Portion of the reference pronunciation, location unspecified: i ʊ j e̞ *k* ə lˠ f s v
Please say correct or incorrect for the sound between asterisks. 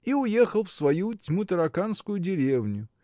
incorrect